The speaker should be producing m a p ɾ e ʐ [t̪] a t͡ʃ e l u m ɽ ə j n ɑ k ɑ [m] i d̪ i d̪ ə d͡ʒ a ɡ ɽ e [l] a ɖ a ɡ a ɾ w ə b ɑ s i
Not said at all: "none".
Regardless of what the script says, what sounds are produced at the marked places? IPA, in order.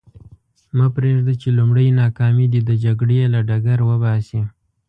d̪, m, l

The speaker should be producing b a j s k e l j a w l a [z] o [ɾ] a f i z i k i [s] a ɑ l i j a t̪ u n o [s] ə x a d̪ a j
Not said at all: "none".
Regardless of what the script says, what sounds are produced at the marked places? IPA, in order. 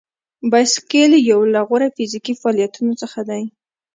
ɣ, ɾ, f, t͡s

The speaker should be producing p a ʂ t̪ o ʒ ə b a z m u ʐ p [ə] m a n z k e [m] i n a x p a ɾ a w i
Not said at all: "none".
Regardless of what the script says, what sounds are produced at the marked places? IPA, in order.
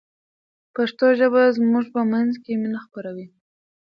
ə, m

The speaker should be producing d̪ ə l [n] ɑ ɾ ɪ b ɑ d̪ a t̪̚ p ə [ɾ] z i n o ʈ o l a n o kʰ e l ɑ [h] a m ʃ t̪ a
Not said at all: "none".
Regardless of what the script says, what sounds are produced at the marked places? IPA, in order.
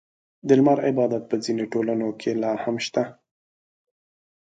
m, none, h

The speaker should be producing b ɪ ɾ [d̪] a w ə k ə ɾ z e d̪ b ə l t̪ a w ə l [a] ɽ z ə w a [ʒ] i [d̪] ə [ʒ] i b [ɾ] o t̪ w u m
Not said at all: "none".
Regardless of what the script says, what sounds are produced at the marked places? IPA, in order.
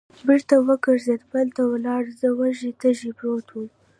t̪, ɑ, ʒ, t̪, ʒ, ɾ

